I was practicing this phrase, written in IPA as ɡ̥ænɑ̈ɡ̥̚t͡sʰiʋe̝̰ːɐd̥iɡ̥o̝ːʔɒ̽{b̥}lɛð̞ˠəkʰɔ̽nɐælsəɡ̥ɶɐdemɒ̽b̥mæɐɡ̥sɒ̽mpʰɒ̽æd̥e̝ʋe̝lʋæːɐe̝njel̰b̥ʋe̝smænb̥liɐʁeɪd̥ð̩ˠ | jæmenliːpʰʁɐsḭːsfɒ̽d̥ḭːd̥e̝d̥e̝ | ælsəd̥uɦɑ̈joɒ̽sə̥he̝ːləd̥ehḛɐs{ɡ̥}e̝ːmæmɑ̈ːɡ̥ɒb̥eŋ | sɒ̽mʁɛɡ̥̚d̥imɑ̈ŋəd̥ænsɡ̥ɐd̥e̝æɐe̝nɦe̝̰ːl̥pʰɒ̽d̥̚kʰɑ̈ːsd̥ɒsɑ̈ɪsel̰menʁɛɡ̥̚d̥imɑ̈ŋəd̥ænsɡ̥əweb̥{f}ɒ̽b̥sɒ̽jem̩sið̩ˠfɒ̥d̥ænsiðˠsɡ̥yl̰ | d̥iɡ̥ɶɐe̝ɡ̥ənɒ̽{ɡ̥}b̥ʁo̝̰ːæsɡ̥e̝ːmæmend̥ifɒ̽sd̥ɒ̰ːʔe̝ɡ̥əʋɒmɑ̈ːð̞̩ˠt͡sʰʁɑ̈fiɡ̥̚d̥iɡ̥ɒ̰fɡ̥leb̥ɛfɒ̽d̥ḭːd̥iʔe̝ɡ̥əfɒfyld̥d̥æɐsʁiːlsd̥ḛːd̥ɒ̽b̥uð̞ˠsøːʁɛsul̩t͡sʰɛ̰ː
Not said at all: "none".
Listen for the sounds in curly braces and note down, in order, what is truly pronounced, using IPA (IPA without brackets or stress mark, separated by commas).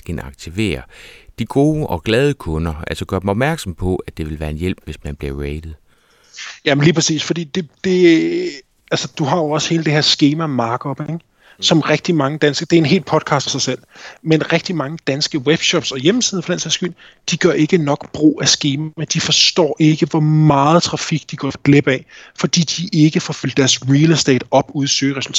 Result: ɡ̥, ɡ̥, ɕ, ɡ̥